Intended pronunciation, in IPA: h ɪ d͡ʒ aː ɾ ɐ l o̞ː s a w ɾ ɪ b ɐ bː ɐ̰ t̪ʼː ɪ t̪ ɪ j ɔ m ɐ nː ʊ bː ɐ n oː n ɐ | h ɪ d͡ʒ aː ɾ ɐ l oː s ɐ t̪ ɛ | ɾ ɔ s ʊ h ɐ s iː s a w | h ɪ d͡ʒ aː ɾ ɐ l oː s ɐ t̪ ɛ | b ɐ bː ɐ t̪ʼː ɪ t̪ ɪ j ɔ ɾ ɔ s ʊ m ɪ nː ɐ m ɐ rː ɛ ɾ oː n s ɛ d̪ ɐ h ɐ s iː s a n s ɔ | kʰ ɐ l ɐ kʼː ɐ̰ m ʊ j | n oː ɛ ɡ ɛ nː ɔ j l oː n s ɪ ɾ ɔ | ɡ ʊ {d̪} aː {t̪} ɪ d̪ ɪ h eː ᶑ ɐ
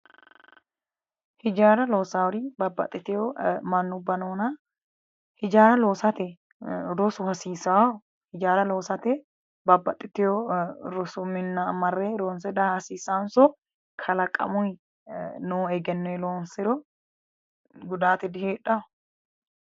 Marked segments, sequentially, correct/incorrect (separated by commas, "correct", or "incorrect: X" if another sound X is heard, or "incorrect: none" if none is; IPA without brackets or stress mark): correct, correct